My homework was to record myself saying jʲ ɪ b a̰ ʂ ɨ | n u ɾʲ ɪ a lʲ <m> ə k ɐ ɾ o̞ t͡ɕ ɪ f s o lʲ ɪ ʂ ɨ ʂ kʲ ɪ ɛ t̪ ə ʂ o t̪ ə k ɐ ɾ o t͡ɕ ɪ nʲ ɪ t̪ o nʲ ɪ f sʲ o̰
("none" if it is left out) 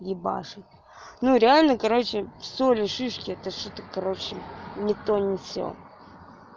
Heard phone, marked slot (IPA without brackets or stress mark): n